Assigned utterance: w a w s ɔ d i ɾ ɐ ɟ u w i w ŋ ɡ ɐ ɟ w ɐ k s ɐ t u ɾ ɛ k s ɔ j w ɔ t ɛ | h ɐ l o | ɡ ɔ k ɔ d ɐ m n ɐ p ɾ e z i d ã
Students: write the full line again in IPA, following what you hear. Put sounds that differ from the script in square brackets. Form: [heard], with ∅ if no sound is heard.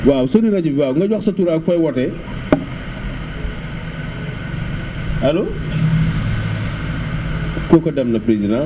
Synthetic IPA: w a w s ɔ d i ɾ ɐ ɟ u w [a] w ŋ ɡ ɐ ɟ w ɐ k s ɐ t u ɾ [a] k [f] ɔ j w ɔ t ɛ | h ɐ l o | [k] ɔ k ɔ d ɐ m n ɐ p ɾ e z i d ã